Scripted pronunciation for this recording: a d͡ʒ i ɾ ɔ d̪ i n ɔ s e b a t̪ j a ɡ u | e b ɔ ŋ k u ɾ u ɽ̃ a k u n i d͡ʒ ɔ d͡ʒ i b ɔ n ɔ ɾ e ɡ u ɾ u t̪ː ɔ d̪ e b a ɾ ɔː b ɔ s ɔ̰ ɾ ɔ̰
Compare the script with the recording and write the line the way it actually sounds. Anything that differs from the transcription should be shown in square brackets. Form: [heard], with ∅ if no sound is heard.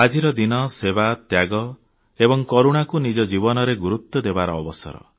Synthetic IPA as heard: a d͡ʒ i ɾ ɔ d̪ i n ɔ s e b a t̪ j a ɡ [ɔ] | e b ɔ ŋ k [ɔ] ɾ u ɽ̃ a k u n i d͡ʒ ɔ d͡ʒ i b ɔ n ɔ ɾ e ɡ u ɾ u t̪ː ɔ d̪ e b a ɾ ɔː b ɔ s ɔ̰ ɾ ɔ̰

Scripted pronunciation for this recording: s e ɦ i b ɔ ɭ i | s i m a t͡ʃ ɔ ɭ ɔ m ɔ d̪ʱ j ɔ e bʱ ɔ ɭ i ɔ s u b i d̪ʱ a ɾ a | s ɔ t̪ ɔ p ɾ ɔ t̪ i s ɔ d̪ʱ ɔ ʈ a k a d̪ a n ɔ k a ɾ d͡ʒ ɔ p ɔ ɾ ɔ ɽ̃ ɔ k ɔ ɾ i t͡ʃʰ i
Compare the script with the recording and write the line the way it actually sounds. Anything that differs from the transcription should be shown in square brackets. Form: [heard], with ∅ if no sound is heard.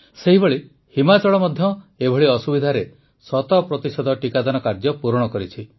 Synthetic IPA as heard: s e ɦ i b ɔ ɭ i | [h] i m a t͡ʃ ɔ ɭ ɔ m ɔ d̪ʱ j ɔ e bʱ ɔ ɭ i ɔ s u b i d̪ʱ a ɾ [e] | s ɔ t̪ ɔ p ɾ ɔ t̪ i s ɔ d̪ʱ ɔ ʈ [i] k a d̪ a n ɔ k a ɾ d͡ʒ ɔ p [u] ɾ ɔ ɽ̃ ɔ k ɔ ɾ i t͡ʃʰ i

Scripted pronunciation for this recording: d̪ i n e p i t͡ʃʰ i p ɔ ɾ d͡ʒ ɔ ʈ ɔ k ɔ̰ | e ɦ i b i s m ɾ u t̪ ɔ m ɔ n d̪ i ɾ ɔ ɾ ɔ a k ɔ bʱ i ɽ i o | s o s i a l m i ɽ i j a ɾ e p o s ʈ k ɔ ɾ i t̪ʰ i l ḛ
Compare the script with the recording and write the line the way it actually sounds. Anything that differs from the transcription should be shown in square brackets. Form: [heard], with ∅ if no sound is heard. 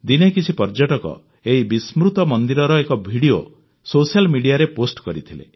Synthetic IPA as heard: d̪ i n e [k] i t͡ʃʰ i p ɔ ɾ d͡ʒ ɔ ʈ ɔ k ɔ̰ | e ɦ i b i s m ɾ u t̪ ɔ m ɔ n d̪ i ɾ ɔ ɾ ɔ [e] k ɔ bʱ i ɽ i o | s o s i a l m i ɽ i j a ɾ e p o s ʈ k ɔ ɾ i t̪ʰ i l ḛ

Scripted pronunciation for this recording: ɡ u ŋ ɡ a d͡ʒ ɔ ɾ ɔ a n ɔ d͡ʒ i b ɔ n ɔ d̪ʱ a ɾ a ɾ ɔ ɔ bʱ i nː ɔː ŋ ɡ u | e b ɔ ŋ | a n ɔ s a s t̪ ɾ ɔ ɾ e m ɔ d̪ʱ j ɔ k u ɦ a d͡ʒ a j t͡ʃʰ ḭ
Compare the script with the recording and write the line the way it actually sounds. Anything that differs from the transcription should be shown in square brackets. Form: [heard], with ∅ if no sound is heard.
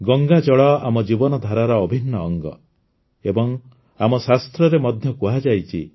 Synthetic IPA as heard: ɡ [ɔ] ŋ ɡ a d͡ʒ ɔ [ɭ] ɔ a [m] ɔ d͡ʒ i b ɔ n ɔ d̪ʱ a ɾ a ɾ ɔ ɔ bʱ i nː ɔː ŋ ɡ [ɔ] | e b ɔ ŋ | a [m] ɔ s a s t̪ ɾ ɔ ɾ e m ɔ d̪ʱ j ɔ k u ɦ a d͡ʒ a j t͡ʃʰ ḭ

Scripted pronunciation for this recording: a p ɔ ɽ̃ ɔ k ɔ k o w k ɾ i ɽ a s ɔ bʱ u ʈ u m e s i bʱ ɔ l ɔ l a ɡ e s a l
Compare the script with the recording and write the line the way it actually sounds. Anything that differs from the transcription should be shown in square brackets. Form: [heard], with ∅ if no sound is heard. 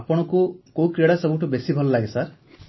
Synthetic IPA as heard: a p ɔ ɽ̃ ɔ k [u] k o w k ɾ i ɽ a s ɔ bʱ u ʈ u [b] e s i bʱ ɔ l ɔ l a ɡ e s a [ɾ]

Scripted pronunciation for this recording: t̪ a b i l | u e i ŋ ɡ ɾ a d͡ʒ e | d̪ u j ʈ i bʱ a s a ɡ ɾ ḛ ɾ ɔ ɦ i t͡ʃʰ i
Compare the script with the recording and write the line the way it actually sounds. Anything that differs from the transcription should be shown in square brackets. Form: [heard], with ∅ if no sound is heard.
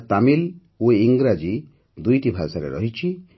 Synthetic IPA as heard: t̪ a [m] i l | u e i ŋ ɡ ɾ a d͡ʒ [i] | d̪ u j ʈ i bʱ a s a [∅] ɾ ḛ ɾ ɔ ɦ i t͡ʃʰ i

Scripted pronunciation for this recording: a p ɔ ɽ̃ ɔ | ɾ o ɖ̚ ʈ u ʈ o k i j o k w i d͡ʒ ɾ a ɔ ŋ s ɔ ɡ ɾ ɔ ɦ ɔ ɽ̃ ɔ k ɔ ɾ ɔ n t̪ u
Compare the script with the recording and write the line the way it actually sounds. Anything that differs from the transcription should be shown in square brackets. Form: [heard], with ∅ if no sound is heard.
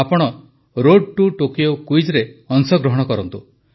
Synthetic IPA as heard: a p ɔ ɽ̃ ɔ | ɾ o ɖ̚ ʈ u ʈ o k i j o k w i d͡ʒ ɾ [e] ɔ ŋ s ɔ ɡ ɾ ɔ ɦ ɔ ɽ̃ ɔ k ɔ ɾ ɔ n t̪ u

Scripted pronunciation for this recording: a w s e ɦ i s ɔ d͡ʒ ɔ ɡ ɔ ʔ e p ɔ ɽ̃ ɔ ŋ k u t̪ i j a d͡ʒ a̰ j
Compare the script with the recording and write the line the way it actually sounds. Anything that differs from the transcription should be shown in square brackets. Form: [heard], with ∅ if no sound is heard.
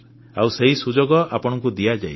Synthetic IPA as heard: a w s e ɦ i s [u] d͡ʒ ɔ ɡ ɔ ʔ [a] p ɔ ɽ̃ ɔ ŋ k u [d̪] i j a d͡ʒ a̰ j

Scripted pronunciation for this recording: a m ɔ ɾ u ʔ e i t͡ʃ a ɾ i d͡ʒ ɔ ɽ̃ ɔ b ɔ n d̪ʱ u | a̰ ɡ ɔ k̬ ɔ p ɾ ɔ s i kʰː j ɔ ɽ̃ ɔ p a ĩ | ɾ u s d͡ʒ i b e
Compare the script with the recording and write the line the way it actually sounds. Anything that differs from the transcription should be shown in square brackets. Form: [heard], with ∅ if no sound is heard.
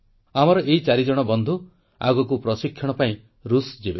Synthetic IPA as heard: a m ɔ ɾ [ɔ] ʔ e i t͡ʃ a ɾ i d͡ʒ ɔ ɽ̃ ɔ b ɔ n d̪ʱ u | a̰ ɡ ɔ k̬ [u] p ɾ ɔ s i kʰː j ɔ ɽ̃ ɔ p a ĩ | ɾ u s d͡ʒ i b e

